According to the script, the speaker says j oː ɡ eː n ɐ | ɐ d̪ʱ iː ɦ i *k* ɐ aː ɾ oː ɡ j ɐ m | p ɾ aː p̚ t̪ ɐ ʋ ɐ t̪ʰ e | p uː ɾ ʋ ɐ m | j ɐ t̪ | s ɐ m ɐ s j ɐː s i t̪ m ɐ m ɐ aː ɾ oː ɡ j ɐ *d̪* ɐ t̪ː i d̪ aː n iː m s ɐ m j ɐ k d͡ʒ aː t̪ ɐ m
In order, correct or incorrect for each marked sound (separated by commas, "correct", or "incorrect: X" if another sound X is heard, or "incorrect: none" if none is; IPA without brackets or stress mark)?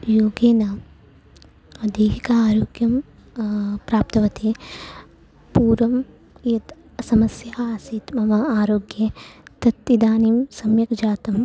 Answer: correct, incorrect: t̪